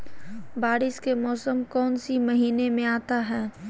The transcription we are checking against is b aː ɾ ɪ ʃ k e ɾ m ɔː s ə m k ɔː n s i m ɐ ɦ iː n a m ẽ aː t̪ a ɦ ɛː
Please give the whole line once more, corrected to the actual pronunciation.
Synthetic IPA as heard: b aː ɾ ɪ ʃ k e m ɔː s ə m k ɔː n s i m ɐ ɦ iː n e m ẽ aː t̪ a ɦ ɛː

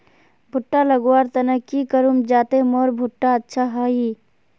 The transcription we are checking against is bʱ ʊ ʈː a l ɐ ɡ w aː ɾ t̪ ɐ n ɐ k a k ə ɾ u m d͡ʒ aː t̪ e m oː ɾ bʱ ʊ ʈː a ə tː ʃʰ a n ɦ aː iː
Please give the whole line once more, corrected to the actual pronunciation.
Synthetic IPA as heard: bʱ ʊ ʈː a l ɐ ɡ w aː ɾ t̪ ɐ n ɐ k i k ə ɾ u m d͡ʒ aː t̪ e m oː ɾ bʱ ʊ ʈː a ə tː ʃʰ a ɦ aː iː

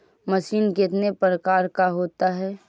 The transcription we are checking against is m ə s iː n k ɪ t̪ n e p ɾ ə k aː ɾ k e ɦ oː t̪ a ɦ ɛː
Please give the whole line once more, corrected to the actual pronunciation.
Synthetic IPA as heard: m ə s iː n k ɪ t̪ n e p ɾ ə k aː ɾ k a ɦ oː t̪ a ɦ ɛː

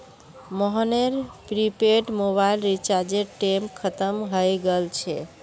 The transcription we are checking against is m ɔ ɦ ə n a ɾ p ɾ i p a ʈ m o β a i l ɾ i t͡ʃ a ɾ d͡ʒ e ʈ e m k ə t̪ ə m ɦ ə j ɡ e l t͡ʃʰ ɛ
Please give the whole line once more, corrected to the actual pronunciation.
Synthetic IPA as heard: m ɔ ɦ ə n e ɾ p ɾ i p e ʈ m o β a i l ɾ i t͡ʃ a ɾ d͡ʒ e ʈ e m kʰ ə t̪ ə m ɦ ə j ɡ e l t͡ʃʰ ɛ

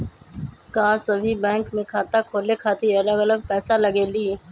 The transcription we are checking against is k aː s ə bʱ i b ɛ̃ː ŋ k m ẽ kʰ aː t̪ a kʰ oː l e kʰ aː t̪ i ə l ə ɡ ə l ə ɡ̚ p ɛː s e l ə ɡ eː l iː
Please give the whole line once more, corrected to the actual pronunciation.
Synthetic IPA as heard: k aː s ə bʱ i b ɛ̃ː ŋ k m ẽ kʰ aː t̪ a kʰ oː l e kʰ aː t̪ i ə l ə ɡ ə l ə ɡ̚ p ɛː s a l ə ɡ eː l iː

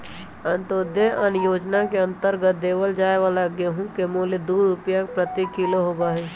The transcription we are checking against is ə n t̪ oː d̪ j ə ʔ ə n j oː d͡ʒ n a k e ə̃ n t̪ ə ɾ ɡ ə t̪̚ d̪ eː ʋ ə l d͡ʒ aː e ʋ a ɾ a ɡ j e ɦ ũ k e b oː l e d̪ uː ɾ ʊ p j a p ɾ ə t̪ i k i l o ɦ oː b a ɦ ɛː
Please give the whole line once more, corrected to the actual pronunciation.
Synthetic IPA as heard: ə n t̪ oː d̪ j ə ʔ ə n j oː d͡ʒ n a k e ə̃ n t̪ ə ɾ ɡ ə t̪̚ d̪ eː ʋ ə l d͡ʒ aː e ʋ a l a ɡ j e ɦ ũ k e m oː l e d̪ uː ɾ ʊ p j a p ɾ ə t̪ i k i l o ɦ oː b a ɦ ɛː

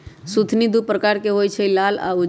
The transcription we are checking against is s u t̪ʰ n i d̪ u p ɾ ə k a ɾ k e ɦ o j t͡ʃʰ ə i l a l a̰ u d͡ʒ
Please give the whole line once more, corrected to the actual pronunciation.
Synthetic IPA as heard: s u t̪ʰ n i d̪ u p ɾ ə k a ɾ k e ɦ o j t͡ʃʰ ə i l a l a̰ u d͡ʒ

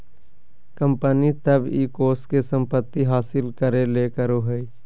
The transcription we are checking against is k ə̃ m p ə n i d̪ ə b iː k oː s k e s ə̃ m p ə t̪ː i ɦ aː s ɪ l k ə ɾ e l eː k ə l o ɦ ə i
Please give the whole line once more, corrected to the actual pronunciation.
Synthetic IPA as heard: k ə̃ m p ə n i t̪ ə b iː k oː s k e s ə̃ m p ə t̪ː i ɦ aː s ɪ l k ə ɾ e l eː k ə ɾ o ɦ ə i

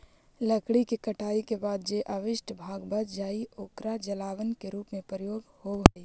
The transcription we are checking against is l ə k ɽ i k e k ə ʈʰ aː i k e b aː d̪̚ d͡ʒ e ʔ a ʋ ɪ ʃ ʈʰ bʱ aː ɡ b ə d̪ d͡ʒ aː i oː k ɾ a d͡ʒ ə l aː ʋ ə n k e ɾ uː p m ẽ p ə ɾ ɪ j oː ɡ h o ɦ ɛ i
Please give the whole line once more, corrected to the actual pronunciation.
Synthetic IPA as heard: l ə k ɽ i k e k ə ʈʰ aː i k e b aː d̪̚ d͡ʒ e ʔ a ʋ ɪ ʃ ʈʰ bʱ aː ɡ b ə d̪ d͡ʒ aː i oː k ɾ a d͡ʒ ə l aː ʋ ə n k e ɾ uː p m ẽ p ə ɾ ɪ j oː ɡ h o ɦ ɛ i

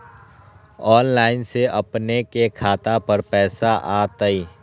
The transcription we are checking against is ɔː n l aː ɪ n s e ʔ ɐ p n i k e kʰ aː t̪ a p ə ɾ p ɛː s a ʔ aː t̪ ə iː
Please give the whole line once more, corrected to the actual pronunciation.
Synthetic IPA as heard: ɔː n l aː ɪ n s e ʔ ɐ p n e k e kʰ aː t̪ a p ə ɾ p ɛː s a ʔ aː t̪ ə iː

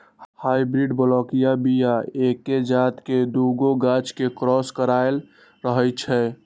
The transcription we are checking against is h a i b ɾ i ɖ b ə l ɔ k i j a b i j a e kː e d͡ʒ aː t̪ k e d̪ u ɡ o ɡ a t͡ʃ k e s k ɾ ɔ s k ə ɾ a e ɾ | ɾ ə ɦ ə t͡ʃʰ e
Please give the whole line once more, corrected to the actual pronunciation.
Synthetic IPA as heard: h a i b ɾ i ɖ b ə l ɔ k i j a b i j a e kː e d͡ʒ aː t̪ k e d̪ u ɡ o ɡ a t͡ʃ k e k ɾ ɔ s k ə ɾ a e l | ɾ ə ɦ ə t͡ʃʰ ɛ

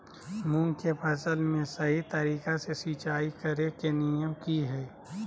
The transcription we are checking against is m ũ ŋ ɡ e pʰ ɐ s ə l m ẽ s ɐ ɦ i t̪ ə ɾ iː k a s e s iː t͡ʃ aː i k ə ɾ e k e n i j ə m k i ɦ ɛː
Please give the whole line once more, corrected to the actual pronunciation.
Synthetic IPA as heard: m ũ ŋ k e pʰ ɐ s ə l m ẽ s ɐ ɦ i t̪ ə ɾ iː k a s e s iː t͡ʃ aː i k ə ɾ e k e n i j ə m k i ɦ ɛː

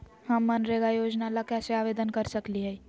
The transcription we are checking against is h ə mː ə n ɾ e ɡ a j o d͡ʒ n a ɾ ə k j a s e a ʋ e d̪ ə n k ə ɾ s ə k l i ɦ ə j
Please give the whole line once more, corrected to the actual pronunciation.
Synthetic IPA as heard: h ə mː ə n ɾ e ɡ a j o d͡ʒ n a l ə k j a s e a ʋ e d̪ ə n k ə ɾ s ə k l i ɦ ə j

